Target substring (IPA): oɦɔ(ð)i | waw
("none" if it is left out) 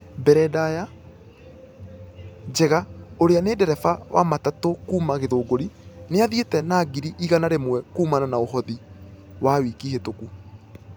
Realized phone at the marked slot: ð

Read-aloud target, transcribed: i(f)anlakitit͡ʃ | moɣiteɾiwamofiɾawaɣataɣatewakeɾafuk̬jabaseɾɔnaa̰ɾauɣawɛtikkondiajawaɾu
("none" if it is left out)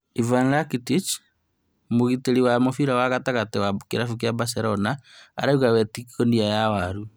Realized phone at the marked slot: v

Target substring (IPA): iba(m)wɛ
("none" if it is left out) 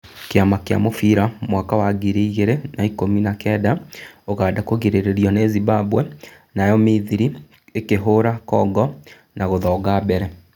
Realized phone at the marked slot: b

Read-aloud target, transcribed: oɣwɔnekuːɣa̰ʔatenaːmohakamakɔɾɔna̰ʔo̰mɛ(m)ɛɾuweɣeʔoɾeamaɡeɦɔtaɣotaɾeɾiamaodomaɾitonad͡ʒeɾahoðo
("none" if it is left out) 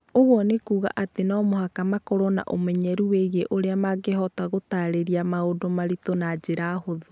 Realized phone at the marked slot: ɲ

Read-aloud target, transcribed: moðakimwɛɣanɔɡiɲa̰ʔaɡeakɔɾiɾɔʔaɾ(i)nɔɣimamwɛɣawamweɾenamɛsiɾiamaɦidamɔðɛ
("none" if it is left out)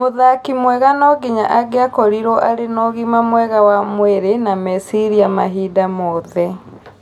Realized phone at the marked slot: e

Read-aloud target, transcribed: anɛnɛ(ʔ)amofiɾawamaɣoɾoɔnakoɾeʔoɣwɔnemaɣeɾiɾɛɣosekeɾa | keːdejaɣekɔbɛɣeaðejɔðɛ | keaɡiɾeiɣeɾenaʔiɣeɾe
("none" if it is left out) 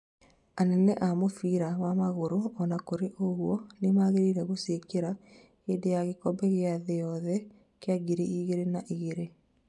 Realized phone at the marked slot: ʔ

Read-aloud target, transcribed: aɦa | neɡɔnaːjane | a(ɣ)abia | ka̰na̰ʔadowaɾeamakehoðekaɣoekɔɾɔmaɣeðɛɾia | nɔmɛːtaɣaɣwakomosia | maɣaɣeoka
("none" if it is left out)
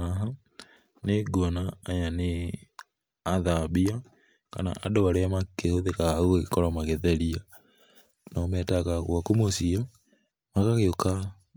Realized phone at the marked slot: ð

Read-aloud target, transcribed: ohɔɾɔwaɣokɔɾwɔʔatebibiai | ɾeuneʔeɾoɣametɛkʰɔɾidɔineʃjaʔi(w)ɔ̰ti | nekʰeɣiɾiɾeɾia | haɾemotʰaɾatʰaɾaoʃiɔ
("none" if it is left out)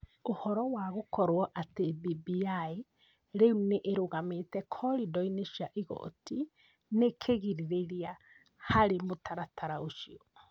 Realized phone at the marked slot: ɣ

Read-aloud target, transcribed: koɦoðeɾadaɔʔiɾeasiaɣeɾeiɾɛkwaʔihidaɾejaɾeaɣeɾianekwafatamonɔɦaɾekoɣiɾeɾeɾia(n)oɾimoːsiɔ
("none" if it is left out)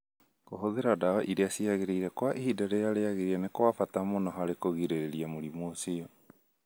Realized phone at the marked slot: m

